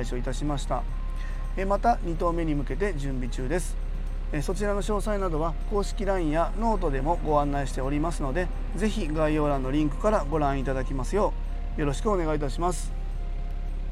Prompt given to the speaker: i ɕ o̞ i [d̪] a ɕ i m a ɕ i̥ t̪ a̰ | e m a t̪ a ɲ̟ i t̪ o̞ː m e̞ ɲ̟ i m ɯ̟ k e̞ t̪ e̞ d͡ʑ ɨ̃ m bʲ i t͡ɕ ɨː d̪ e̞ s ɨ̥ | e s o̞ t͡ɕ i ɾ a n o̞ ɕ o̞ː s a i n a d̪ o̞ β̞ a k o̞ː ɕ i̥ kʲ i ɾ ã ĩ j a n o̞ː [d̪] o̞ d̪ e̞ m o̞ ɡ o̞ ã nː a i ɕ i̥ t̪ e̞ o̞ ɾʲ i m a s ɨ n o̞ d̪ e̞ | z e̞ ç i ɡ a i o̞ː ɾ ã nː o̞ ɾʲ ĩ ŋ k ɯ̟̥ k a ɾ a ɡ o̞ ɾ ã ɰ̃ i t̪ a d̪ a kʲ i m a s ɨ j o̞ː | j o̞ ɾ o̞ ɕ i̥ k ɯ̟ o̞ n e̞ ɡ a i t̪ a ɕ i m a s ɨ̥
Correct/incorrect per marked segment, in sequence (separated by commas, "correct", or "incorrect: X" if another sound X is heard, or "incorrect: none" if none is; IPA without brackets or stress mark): incorrect: t̪, incorrect: t̪